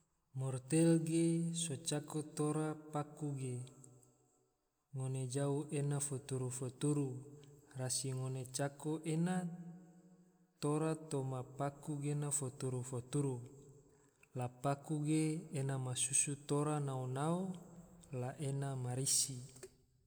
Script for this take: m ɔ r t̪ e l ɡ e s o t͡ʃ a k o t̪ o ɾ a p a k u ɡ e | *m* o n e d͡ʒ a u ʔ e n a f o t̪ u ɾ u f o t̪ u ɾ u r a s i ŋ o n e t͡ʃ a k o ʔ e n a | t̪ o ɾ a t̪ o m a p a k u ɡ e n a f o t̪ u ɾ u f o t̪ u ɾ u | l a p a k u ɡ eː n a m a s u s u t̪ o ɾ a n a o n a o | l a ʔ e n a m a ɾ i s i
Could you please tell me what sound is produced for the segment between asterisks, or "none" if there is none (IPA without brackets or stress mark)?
ŋ